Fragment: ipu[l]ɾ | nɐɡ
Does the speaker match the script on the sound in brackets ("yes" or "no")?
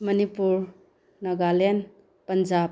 no